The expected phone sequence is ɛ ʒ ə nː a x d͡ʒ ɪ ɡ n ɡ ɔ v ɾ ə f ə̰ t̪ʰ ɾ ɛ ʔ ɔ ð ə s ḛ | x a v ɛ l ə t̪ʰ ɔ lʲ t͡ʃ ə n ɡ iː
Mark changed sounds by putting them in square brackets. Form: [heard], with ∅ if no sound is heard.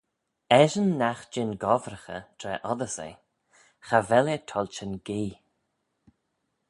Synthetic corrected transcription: ɛ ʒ ə nː a x d͡ʒ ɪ [∅] n ɡ ɔ v ɾ ə [x] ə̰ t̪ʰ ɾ ɛ ʔ ɔ ð ə s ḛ | x a v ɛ l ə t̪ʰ ɔ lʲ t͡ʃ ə n ɡ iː

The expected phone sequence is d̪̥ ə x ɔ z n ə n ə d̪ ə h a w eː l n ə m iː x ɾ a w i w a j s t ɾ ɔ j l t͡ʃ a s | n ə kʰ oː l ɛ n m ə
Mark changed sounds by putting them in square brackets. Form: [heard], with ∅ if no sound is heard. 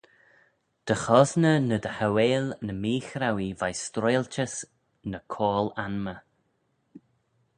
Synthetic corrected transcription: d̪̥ ə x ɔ z n ə n ə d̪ ə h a w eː l n ə m iː x ɾ a w i [v] a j s t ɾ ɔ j l t͡ʃ [ə] s | n ə kʰ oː l [a] n m ə

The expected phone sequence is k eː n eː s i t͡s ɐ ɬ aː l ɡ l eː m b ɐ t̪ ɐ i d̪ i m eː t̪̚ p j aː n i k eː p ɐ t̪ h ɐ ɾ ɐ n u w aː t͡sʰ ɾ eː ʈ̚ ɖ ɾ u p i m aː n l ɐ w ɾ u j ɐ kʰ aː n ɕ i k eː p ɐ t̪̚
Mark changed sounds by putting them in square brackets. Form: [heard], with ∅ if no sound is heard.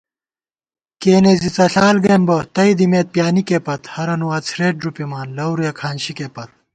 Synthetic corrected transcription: k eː n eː [z] i t͡s ɐ ɬ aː l ɡ [ɾ] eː m b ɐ t̪ ɐ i d̪ i m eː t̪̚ p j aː n i k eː p ɐ t̪ h ɐ ɾ ɐ n u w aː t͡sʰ ɾ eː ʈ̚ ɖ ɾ u p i m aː n l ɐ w ɾ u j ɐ kʰ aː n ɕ i k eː p ɐ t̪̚

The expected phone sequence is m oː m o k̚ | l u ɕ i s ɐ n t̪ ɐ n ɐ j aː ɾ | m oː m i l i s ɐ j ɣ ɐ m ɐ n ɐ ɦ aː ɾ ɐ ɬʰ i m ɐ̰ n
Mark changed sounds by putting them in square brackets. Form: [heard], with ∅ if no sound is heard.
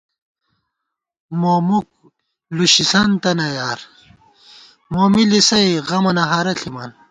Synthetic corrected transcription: m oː m [u] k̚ | l u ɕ i s ɐ n t̪ ɐ n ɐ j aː ɾ | m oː m i l i s ɐ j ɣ ɐ m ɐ n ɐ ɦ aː ɾ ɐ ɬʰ i m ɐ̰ n

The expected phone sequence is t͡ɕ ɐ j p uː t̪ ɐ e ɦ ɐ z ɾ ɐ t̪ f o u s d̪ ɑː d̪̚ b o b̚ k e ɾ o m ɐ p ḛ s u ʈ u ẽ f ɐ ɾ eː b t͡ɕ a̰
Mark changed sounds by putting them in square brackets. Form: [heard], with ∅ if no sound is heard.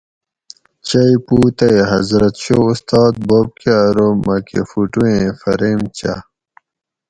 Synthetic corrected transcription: t͡ɕ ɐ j p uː t̪ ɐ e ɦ ɐ z ɾ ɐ t̪ [ɕ] o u s [t̪] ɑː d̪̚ b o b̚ k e ɾ o m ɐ [k] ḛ [f] u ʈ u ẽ f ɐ ɾ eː [m] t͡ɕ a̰

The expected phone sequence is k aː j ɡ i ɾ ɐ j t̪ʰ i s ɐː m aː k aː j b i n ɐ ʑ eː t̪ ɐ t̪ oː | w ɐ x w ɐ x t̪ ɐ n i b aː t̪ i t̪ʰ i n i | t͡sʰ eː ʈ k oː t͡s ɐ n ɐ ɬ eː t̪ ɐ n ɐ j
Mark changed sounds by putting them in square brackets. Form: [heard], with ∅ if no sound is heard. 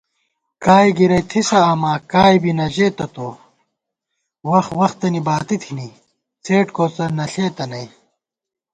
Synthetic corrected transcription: k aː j ɡ i ɾ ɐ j t̪ʰ i s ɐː m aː k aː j b i n ɐ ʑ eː t̪ ɐ t̪ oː | w ɐ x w ɐ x t̪ ɐ n i b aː t̪ i t̪ʰ i n i | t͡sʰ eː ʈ k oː t͡s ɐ n ɐ ɬ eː t̪ ɐ n ɐ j

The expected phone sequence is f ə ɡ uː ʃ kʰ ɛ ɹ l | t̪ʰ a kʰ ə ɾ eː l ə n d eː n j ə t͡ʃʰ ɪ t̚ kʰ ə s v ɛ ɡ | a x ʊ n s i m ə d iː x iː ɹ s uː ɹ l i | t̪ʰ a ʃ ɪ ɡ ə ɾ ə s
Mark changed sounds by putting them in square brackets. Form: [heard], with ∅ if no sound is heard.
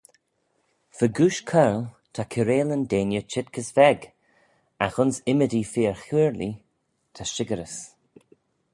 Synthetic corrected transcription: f ə ɡ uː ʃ kʰ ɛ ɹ l | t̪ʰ a kʰ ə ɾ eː l ə n d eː n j ə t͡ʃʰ ɪ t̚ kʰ ə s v ɛ ɡ | a x ʊ n s [ɪ] m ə d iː [f] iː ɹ [x] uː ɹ l i | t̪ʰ a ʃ ɪ ɡ ə ɾ ə s

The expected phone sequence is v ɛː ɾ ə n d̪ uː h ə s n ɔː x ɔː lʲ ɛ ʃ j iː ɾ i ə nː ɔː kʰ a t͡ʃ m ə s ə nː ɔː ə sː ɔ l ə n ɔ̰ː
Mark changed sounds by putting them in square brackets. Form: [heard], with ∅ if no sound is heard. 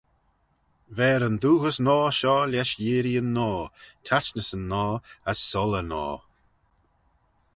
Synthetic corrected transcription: v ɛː ɾ ə n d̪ uː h ə s n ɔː [ʃ] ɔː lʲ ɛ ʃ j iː ɾ i ə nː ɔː [tʰ] a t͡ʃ [n] ə s ə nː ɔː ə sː ɔ l ə n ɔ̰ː

